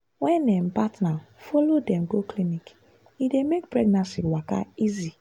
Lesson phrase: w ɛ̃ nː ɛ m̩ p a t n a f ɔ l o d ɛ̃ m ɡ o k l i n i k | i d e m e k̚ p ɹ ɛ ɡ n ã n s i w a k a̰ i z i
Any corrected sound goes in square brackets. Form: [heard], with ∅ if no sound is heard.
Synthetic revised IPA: w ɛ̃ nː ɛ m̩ p a t n a f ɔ l o d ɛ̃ m ɡ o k l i n i k | i d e m e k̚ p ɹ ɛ ɡ n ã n s i w a k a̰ i z i